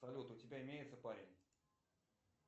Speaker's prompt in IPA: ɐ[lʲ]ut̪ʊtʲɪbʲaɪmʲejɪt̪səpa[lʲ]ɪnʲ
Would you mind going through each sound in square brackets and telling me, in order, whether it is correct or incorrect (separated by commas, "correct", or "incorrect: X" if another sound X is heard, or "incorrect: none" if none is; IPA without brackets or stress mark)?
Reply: correct, incorrect: ɾʲ